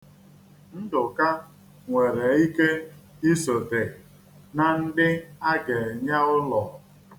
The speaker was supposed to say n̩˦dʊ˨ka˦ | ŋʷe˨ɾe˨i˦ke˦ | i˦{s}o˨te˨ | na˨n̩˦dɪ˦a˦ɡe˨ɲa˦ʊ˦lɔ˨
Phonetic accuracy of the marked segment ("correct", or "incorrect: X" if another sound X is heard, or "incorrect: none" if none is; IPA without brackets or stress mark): correct